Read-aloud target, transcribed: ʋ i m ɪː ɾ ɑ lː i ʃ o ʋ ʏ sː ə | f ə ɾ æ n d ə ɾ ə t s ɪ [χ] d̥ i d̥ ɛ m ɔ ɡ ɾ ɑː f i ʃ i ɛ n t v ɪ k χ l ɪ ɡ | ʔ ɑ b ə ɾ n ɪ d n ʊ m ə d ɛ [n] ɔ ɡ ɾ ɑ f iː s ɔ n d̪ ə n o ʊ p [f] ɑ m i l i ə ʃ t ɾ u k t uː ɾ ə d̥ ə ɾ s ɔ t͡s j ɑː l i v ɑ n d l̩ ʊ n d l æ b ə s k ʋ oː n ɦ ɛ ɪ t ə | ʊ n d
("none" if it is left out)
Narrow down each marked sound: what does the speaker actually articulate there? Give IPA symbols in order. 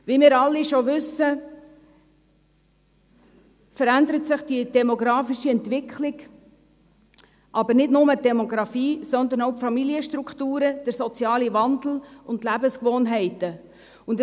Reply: χ, m, f

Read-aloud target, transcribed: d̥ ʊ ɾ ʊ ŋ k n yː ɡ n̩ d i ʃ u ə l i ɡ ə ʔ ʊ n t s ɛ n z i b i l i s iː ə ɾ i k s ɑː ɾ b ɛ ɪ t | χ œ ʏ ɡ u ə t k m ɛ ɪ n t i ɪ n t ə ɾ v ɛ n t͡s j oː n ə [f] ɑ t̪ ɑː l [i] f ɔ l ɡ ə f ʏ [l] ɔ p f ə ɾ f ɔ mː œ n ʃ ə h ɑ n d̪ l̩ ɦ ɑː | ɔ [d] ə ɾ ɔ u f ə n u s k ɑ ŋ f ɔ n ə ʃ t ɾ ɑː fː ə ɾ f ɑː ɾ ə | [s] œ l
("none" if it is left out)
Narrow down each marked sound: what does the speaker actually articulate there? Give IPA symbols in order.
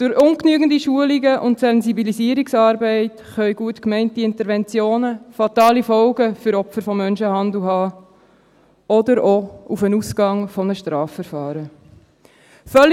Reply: f, i, ɾ, d, f

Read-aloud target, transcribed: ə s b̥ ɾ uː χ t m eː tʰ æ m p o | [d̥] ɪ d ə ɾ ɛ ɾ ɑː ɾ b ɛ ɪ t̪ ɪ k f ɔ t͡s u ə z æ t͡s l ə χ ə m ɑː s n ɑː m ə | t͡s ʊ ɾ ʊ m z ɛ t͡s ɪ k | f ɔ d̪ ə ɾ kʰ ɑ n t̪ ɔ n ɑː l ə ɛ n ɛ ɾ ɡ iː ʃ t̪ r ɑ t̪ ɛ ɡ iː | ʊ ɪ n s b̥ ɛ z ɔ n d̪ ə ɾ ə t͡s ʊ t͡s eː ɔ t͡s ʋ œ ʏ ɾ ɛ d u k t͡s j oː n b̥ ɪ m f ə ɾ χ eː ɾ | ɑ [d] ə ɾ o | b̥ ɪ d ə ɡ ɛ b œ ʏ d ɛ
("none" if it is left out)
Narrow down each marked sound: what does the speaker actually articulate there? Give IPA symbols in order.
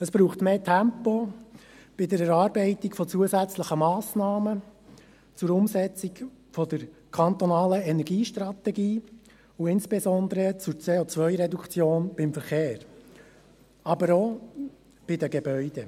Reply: b̥, b

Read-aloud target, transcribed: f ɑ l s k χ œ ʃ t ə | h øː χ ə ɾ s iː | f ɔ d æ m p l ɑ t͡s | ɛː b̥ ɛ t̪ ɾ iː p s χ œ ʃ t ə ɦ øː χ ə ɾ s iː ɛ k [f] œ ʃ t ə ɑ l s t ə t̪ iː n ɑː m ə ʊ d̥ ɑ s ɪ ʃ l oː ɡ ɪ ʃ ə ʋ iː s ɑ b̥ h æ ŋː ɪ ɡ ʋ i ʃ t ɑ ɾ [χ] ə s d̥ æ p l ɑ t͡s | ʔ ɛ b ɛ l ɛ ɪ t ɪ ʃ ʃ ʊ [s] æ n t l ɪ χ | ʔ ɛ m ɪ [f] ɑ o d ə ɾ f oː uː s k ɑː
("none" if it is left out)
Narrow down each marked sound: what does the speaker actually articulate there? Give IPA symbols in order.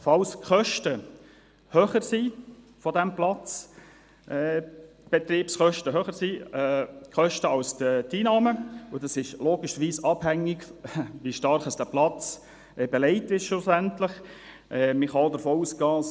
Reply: χ, χ, s, χ

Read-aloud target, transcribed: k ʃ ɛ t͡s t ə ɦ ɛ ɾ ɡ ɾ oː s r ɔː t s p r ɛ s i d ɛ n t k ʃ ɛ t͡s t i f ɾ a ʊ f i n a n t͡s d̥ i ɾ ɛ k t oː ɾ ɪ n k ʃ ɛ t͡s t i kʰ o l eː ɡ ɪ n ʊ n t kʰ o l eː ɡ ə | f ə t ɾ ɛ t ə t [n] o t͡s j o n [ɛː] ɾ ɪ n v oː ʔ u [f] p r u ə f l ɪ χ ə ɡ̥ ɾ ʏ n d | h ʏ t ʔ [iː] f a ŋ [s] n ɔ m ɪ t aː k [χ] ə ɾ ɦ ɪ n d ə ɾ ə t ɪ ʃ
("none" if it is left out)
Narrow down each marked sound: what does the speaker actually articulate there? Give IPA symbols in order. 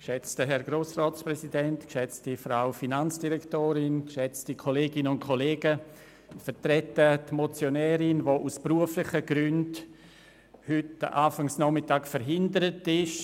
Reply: m, ɛː, s, aː, s, f

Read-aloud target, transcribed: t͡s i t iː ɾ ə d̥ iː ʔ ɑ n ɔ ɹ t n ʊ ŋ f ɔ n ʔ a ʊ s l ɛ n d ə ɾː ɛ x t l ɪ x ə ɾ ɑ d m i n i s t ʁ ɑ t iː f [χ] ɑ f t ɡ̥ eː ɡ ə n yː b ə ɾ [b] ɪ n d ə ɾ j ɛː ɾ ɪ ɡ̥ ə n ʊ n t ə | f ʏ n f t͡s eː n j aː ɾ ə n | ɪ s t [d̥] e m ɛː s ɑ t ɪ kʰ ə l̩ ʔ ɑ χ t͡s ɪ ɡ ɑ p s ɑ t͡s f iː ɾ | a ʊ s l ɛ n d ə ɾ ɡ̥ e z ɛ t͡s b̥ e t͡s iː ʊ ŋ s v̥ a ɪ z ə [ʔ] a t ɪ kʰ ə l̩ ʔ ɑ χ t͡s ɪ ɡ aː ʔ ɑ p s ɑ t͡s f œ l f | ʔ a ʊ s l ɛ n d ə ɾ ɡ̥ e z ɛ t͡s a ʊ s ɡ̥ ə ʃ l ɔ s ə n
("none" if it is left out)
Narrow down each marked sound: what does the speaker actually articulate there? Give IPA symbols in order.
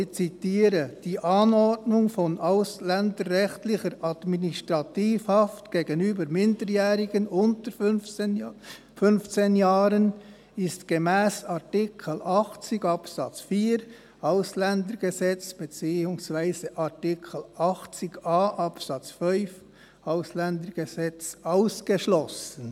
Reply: h, m, ɡ̥, ʔ

